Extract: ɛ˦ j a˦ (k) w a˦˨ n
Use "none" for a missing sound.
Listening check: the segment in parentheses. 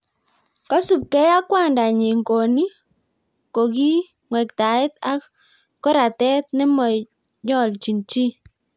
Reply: k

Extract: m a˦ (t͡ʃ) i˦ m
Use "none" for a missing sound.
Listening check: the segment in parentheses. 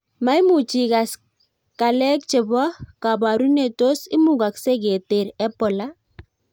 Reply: none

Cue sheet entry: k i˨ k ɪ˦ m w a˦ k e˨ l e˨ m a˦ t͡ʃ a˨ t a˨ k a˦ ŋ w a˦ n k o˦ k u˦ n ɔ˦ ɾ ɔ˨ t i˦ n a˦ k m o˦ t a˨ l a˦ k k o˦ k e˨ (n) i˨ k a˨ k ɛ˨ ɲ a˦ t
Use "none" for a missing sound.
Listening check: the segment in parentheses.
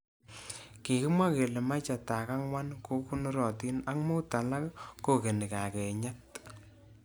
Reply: n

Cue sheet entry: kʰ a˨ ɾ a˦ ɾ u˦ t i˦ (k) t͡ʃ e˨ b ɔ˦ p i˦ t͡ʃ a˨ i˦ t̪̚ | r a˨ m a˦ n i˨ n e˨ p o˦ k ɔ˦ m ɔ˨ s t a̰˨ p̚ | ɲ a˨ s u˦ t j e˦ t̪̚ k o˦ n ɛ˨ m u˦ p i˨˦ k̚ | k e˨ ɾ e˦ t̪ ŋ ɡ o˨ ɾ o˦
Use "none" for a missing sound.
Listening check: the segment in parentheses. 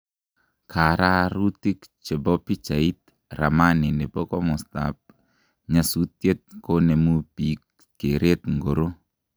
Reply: k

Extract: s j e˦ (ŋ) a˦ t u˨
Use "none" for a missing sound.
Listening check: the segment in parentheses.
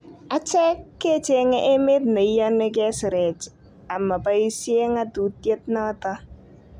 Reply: ŋ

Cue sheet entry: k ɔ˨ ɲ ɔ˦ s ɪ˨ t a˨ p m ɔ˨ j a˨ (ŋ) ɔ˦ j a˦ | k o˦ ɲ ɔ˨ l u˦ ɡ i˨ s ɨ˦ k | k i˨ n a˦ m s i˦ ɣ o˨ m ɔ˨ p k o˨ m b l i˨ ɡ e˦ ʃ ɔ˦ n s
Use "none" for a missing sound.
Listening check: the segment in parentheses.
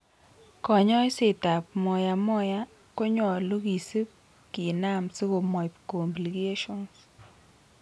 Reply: m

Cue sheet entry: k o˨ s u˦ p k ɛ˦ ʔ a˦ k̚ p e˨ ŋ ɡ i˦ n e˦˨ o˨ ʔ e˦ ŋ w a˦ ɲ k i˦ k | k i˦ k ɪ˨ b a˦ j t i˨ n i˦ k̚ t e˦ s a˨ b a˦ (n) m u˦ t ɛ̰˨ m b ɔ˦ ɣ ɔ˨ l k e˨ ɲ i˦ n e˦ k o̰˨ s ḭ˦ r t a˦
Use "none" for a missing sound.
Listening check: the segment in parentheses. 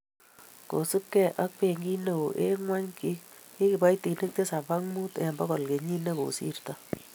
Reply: ŋ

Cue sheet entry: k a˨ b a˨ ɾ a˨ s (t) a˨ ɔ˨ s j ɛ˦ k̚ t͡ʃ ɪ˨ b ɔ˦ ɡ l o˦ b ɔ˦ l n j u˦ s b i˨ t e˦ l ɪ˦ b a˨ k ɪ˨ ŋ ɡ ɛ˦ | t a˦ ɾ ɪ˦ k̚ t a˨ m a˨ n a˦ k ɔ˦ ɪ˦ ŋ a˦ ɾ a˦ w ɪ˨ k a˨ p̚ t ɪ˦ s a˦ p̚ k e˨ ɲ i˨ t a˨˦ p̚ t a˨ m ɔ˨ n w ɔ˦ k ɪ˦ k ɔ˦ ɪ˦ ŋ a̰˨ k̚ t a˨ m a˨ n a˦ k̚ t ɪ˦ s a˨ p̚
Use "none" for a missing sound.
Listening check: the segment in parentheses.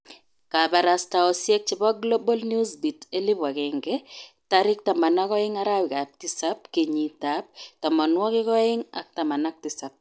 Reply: t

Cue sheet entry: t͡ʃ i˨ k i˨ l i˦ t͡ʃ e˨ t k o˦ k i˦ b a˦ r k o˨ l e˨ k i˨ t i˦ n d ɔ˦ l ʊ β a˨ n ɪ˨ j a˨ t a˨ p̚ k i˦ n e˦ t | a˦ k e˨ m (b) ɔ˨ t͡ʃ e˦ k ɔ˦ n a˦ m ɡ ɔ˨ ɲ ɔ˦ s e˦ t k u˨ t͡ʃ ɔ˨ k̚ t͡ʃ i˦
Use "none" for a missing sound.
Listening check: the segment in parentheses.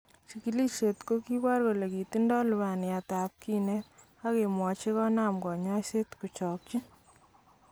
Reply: w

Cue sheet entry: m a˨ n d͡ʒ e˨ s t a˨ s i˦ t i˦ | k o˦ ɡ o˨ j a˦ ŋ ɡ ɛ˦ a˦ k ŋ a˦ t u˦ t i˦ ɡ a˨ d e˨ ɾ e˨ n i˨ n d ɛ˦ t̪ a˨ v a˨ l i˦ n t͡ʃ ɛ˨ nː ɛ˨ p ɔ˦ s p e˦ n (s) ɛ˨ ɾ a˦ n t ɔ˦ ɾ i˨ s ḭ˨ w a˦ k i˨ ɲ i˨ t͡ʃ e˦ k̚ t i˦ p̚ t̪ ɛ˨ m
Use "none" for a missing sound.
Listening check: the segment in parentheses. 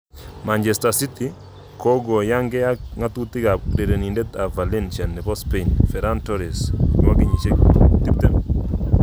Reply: f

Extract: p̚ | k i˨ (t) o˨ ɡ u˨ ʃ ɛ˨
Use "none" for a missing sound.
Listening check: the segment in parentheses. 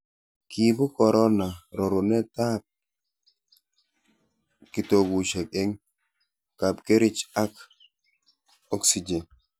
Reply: t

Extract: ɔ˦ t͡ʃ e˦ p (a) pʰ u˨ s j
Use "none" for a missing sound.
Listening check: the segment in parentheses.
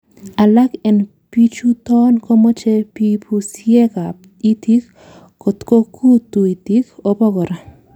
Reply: i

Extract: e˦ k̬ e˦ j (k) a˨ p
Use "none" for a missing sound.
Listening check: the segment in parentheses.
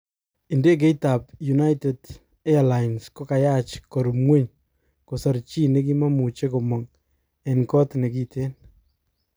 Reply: t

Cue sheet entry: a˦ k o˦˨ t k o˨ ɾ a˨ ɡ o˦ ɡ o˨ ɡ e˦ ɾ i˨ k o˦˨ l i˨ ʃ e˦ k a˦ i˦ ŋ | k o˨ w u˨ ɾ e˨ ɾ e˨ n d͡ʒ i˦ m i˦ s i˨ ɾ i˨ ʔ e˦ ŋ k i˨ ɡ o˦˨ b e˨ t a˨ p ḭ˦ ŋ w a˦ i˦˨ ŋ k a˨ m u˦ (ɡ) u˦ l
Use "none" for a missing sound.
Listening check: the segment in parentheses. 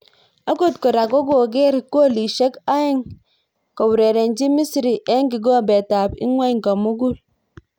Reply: ɡ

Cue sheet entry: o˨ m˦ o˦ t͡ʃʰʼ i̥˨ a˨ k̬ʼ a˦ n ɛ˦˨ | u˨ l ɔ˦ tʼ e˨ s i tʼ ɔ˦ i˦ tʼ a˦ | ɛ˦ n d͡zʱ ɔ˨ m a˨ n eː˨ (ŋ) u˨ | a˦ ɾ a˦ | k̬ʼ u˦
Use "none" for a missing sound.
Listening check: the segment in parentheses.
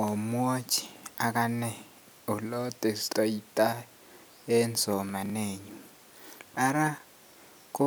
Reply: ɲ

